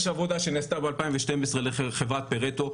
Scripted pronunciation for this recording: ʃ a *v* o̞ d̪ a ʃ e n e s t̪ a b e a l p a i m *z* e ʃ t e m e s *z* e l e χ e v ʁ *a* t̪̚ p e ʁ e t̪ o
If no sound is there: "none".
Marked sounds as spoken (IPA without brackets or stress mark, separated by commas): v, v, ʁ, a